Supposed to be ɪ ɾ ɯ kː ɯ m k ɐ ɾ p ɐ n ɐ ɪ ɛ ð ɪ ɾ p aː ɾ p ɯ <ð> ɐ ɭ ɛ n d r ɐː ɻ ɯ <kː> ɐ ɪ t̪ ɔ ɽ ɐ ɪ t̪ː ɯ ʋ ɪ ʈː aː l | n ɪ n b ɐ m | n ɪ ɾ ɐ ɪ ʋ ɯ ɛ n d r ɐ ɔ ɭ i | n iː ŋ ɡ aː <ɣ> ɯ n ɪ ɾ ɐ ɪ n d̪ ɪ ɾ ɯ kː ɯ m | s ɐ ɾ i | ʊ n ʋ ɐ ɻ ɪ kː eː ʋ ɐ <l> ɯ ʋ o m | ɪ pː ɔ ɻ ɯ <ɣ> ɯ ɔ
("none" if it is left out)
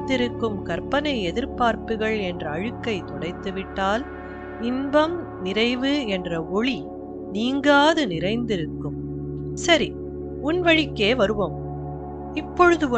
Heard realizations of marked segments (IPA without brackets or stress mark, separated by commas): ɣ, kː, ð, ɾ, ð